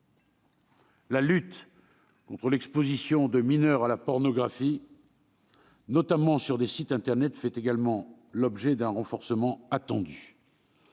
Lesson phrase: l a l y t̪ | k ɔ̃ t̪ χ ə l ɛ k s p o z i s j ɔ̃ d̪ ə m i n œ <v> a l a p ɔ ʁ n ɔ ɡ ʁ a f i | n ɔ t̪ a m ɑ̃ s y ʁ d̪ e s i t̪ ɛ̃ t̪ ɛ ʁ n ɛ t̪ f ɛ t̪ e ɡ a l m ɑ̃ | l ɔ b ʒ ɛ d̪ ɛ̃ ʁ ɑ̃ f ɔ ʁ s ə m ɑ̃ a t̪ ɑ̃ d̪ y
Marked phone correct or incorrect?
incorrect